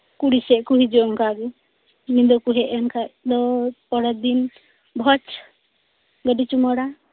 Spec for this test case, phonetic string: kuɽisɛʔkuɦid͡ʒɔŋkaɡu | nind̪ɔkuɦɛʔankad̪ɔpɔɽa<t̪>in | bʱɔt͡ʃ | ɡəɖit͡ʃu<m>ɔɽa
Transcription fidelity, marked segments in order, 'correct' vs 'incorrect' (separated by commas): incorrect, correct